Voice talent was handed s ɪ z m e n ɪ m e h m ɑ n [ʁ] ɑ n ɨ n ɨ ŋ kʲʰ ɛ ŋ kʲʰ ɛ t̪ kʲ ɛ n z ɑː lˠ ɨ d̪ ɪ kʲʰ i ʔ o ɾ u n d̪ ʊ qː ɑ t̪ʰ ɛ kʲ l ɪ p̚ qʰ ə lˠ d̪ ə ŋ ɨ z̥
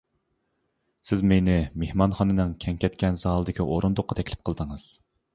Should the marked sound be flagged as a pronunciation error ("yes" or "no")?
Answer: yes